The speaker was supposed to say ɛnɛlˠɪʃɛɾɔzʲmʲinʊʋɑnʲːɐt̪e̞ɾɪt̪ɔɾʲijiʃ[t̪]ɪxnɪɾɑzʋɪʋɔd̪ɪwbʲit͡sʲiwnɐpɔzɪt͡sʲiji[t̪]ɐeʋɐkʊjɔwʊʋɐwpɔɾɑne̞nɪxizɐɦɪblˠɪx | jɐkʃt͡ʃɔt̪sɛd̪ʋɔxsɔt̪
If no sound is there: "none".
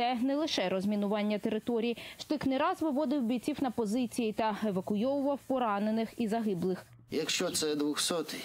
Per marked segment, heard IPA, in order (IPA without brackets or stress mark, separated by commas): t̪, t̪